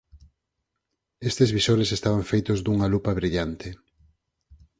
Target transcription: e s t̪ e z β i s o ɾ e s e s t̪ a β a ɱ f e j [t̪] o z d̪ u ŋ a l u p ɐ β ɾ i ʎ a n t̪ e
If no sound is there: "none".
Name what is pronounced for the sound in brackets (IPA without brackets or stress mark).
t̪